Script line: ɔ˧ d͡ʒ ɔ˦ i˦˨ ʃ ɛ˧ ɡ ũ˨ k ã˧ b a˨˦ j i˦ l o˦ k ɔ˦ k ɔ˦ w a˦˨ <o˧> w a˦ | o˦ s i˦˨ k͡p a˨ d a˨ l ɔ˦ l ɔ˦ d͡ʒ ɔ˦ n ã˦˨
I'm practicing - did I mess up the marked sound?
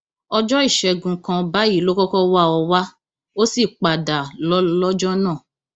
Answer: yes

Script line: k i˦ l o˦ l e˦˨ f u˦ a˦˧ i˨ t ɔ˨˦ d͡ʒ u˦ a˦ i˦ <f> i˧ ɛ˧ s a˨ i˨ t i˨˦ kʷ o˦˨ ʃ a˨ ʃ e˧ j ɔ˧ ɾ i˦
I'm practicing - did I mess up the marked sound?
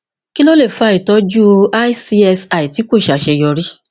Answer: yes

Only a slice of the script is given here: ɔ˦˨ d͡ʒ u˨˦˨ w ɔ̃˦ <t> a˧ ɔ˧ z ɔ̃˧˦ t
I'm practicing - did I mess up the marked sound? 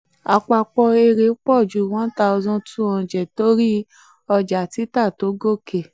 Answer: no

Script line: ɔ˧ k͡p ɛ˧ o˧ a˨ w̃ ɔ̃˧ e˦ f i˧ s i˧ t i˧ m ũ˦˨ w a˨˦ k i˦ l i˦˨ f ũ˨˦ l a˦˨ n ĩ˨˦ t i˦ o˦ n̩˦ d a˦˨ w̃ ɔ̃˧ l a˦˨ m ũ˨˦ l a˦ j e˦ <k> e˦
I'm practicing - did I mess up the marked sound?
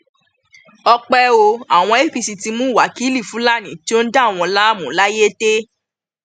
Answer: yes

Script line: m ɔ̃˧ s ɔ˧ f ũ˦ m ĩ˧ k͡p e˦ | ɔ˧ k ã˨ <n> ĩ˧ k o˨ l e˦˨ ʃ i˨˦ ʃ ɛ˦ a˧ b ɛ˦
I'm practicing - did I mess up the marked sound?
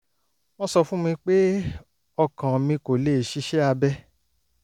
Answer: yes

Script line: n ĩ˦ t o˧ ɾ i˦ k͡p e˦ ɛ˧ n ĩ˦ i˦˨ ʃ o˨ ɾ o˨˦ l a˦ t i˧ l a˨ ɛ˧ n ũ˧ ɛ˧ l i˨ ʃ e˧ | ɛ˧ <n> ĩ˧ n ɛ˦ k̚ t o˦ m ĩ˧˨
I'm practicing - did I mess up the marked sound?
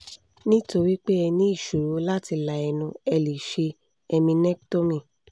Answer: yes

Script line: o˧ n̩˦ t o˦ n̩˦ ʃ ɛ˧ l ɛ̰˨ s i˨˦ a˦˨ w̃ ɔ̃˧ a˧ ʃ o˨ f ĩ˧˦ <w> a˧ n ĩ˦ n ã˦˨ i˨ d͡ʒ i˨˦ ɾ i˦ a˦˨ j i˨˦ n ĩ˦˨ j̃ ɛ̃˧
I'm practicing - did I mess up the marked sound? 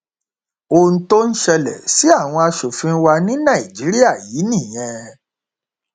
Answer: no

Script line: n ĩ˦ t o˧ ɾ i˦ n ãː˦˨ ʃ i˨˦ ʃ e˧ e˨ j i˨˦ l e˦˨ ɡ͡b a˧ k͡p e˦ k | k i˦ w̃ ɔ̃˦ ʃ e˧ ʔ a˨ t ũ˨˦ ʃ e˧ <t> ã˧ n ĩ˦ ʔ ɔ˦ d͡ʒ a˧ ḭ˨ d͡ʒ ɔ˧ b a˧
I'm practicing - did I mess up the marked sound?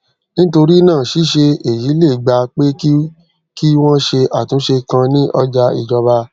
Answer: yes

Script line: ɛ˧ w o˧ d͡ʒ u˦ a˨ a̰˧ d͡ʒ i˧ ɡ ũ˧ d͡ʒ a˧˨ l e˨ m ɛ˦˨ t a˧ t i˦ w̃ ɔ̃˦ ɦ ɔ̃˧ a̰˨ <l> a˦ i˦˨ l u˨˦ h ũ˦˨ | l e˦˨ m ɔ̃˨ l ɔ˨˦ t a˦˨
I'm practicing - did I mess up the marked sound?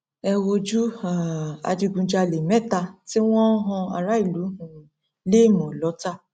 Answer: yes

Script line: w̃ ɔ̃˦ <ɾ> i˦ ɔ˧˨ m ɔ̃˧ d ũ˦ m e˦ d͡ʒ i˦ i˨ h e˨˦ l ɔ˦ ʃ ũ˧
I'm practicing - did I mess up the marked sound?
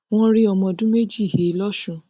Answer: no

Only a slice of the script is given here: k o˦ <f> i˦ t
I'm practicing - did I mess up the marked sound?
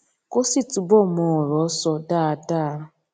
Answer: yes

